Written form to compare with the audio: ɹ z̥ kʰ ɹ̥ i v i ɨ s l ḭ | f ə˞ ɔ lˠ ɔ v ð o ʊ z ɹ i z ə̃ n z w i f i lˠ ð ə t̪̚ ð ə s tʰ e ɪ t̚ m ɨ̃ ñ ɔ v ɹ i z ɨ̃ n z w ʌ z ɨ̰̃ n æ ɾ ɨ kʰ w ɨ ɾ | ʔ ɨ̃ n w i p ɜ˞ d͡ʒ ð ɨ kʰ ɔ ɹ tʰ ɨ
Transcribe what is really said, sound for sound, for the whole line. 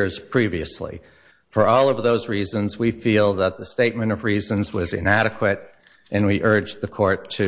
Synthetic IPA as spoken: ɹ z̥ pʰ ɹ̥ i v i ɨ s l ḭ | f ə˞ ɔ lˠ ʌ v ð o ʊ z ɹ i z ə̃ n z w i f i lˠ ð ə t̪̚ ð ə s t e ɪ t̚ m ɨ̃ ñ ʌ v ɹ i z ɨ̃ n z w ʌ z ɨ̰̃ n æ ɾ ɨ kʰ w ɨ ɾ | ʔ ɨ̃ n w i ʔ ɜ˞ d͡ʒ ð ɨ kʰ ɔ ɹ tʰ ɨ